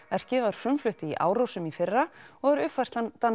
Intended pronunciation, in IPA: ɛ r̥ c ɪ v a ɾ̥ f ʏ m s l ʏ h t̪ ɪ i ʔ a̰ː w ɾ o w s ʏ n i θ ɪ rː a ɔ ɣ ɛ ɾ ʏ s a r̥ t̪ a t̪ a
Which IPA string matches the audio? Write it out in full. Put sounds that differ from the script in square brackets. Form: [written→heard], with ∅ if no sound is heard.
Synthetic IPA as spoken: ɛ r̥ c ɪ v a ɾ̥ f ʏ m [s→f] l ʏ h t̪ ɪ i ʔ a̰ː w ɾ o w s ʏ [n→m] i [θ→f] ɪ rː a ɔ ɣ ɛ ɾ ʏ [s→f] a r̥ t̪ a t̪ a